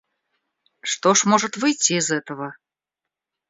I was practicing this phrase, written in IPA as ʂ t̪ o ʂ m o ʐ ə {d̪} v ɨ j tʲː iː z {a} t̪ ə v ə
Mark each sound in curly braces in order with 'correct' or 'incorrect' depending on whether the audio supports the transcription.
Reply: incorrect: t̪, incorrect: ɛ

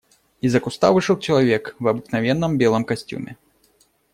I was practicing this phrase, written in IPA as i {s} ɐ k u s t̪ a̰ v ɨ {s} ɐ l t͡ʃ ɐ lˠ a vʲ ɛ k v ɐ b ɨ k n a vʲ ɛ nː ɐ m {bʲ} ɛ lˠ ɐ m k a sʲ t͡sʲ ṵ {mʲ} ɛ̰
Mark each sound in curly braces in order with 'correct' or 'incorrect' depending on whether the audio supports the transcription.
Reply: incorrect: z, incorrect: ʂ, correct, correct

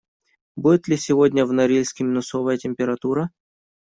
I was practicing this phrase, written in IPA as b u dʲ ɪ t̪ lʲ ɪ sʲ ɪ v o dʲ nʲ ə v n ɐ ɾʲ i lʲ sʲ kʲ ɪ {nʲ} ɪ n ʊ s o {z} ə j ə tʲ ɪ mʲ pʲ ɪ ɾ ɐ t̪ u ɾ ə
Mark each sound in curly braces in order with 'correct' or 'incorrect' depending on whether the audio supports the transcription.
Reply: incorrect: mʲ, incorrect: v

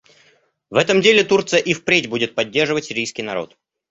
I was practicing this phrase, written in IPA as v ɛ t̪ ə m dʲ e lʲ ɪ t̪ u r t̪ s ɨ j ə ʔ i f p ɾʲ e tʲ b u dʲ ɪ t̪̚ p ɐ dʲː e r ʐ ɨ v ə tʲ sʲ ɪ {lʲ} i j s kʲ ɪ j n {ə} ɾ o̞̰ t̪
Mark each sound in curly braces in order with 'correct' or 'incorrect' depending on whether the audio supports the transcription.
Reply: incorrect: ɾʲ, incorrect: ɐ

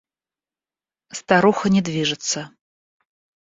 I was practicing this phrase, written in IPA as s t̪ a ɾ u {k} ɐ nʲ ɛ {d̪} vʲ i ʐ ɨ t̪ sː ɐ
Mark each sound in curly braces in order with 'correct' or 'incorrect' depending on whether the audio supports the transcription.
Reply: incorrect: x, correct

